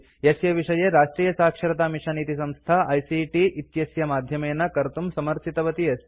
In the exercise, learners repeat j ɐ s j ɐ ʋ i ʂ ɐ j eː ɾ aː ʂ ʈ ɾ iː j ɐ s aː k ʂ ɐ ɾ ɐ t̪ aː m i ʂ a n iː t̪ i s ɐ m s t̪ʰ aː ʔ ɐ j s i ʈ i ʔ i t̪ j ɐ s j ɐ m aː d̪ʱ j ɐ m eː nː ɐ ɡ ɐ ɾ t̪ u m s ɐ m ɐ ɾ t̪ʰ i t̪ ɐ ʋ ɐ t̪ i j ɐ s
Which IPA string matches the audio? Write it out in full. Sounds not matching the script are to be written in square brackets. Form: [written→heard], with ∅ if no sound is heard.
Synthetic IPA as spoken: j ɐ s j ɐ ʋ i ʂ ɐ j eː ɾ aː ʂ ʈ ɾ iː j ɐ s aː k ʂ ɐ ɾ ɐ t̪ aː m i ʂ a n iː t̪ i s ɐ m s t̪ʰ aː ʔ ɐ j s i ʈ i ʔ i t̪ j ɐ s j ɐ m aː d̪ʱ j ɐ m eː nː ɐ [ɡ→k] ɐ ɾ t̪ u m s ɐ m ɐ ɾ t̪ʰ i t̪ ɐ ʋ ɐ t̪ i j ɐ s